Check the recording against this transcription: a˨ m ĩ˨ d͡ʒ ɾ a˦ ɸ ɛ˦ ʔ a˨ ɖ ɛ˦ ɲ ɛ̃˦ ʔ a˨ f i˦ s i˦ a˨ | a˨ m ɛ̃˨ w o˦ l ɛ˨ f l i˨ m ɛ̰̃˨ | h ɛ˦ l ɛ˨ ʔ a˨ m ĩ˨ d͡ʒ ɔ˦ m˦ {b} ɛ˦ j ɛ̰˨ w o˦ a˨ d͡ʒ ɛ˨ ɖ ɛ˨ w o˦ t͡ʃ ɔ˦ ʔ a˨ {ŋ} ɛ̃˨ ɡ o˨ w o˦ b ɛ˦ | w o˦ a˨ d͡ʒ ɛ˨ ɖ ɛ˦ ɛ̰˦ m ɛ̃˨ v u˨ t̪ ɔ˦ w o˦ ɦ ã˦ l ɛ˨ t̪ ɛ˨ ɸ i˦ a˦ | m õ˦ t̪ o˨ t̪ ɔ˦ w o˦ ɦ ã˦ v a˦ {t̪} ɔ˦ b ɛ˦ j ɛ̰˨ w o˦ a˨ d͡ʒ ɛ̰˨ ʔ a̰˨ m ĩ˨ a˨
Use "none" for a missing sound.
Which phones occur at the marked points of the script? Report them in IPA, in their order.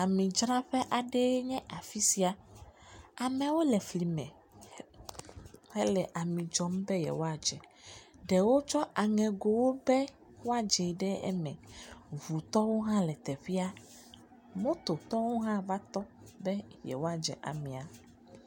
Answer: b, ŋ, t̪

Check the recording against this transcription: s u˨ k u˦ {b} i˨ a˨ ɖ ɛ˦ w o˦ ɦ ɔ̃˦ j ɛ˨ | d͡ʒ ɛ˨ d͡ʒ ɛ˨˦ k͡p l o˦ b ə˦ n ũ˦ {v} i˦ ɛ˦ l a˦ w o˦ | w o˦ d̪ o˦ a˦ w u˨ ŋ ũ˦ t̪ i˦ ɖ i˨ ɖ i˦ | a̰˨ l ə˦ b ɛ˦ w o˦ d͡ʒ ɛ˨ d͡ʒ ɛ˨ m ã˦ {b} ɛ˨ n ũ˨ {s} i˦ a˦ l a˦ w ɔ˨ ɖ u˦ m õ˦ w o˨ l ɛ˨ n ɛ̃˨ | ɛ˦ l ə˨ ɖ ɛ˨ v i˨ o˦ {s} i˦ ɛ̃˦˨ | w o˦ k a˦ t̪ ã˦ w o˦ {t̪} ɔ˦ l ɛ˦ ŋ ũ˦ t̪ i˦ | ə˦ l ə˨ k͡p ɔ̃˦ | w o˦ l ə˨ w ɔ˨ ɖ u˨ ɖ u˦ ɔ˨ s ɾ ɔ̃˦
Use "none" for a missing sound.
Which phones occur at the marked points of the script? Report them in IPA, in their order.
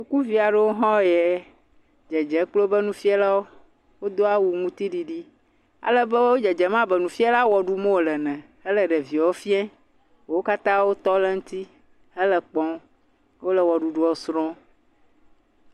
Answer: v, f, b, f, f, t̪

